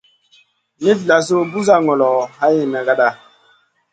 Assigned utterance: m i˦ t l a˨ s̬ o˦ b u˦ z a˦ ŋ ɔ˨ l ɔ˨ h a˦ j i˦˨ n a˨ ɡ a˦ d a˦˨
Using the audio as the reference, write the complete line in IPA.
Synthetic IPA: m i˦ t l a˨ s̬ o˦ b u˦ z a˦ ŋ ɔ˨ l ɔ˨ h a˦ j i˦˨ n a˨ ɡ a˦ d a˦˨